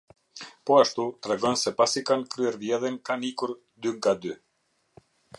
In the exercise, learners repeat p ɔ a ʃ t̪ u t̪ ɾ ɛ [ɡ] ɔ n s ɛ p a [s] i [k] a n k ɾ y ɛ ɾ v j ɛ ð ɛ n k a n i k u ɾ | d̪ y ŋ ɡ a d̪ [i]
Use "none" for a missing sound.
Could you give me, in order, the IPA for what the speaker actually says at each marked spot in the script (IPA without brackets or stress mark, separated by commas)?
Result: ɡ, s, k, y